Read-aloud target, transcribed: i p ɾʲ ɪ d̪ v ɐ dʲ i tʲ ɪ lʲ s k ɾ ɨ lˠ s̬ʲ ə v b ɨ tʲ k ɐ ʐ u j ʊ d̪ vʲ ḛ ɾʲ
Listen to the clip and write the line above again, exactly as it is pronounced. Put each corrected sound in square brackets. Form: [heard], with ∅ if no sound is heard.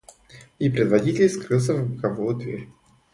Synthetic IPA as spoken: i p ɾʲ ɪ d̪ v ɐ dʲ i tʲ ɪ lʲ s k ɾ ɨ lˠ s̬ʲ ə v b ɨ [∅] k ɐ [v] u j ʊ d̪ vʲ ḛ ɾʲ